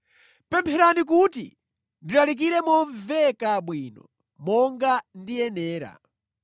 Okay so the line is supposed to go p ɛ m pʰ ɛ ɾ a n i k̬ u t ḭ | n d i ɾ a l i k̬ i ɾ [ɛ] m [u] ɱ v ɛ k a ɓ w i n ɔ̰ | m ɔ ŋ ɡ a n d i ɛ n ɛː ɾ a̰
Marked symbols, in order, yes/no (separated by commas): yes, no